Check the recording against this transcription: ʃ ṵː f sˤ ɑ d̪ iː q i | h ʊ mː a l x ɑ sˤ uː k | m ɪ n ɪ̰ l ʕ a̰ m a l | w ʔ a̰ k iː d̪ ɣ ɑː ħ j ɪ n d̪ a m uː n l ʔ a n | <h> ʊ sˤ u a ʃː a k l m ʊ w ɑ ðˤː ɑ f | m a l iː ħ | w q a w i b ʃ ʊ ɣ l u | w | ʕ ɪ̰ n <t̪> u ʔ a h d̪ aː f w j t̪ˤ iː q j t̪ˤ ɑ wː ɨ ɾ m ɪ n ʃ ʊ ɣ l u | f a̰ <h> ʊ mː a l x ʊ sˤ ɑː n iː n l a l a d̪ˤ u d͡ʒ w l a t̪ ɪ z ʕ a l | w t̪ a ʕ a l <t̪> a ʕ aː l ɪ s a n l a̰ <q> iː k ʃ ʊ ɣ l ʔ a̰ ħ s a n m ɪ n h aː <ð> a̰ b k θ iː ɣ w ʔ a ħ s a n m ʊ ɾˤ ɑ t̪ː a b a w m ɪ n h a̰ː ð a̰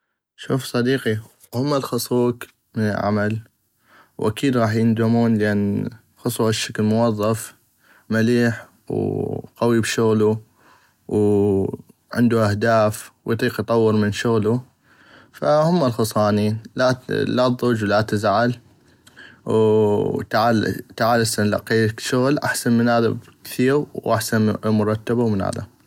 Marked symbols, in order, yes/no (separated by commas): no, no, yes, yes, yes, yes